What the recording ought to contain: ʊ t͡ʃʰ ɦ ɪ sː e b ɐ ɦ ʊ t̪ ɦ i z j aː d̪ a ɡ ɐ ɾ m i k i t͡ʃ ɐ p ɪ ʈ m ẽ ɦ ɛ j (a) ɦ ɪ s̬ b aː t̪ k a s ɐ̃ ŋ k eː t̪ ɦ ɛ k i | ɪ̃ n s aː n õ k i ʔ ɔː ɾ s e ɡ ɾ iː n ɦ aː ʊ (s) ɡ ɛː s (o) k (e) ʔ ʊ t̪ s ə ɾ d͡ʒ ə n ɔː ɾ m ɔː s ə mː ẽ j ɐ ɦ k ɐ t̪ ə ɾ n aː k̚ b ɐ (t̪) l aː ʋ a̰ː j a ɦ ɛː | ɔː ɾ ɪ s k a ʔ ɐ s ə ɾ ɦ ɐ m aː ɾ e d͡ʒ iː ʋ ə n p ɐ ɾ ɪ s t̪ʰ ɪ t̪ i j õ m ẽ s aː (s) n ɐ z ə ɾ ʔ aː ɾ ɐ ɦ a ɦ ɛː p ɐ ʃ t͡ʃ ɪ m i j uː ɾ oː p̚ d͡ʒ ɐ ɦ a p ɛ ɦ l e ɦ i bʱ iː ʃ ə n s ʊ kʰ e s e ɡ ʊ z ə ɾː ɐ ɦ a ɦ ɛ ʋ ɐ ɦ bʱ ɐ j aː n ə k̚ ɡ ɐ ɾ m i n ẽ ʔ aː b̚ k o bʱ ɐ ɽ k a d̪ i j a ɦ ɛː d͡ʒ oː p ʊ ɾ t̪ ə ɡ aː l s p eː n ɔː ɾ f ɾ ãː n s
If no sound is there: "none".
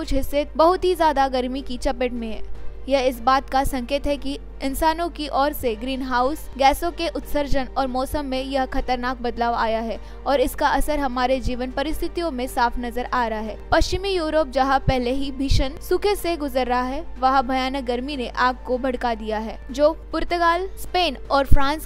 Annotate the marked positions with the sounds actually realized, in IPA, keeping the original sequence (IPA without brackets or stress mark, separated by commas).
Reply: ɐ, s, õ, e, d̪, f